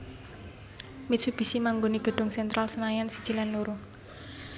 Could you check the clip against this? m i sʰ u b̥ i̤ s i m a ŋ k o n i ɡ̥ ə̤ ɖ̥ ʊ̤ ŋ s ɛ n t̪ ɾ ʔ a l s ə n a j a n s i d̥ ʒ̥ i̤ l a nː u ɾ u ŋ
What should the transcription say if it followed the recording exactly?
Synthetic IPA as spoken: m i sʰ u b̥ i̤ s i m a ŋ ɡ o n i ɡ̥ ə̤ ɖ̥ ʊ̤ ŋ s ɛ n t̪ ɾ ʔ a l s ə n a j a n s i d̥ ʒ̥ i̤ l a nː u ɾ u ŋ